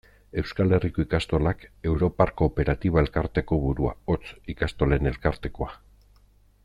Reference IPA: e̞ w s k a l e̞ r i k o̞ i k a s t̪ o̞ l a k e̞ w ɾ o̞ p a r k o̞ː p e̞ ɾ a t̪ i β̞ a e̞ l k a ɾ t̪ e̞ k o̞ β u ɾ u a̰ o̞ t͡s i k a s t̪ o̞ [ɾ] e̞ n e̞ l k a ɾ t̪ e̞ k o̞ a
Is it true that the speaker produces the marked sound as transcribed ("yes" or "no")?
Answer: no